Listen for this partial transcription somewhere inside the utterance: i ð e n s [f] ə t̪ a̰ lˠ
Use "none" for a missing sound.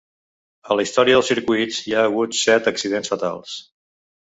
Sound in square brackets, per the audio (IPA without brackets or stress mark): f